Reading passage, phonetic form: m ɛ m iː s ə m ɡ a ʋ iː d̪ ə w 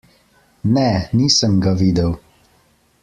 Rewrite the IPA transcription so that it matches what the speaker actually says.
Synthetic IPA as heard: n ɛ n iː s ə m ɡ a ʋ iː d̪ ə w